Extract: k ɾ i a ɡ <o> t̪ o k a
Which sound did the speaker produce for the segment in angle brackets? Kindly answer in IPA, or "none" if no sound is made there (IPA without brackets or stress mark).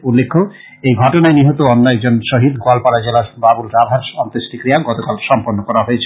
ɔ